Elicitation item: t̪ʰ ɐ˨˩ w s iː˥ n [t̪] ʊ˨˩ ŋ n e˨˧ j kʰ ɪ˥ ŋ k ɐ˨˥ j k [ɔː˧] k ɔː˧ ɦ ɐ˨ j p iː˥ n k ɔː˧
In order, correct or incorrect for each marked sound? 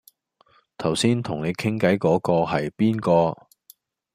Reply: incorrect, incorrect

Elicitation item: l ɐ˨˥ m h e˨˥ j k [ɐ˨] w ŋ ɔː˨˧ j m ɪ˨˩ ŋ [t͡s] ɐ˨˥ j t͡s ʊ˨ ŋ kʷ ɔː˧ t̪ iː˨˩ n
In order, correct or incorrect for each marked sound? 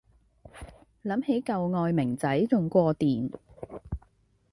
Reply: correct, correct

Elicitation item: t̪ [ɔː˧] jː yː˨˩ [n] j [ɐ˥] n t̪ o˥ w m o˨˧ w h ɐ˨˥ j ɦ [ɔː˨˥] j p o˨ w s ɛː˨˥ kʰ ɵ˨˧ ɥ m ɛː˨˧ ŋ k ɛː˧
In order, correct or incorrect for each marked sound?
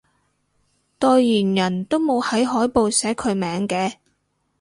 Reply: correct, correct, incorrect, correct

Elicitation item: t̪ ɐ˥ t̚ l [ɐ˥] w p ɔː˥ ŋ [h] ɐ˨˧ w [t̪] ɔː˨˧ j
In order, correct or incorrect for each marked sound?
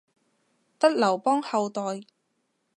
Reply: incorrect, correct, correct

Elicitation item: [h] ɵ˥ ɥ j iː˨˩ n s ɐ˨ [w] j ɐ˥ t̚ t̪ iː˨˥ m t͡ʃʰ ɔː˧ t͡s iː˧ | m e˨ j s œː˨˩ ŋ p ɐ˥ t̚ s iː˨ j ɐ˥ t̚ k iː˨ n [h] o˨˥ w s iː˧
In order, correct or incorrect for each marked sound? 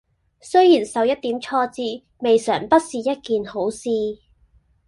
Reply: incorrect, correct, correct

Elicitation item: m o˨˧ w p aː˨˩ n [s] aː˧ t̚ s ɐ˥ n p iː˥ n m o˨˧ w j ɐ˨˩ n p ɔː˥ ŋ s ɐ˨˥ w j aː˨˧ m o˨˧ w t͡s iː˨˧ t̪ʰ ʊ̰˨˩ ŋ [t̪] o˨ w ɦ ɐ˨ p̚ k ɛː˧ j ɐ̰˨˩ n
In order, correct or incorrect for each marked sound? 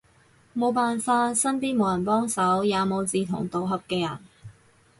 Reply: incorrect, correct

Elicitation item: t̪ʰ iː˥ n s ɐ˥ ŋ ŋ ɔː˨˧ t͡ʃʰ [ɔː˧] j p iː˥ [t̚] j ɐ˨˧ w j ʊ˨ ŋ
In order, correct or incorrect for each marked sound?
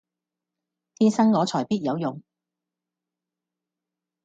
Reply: incorrect, correct

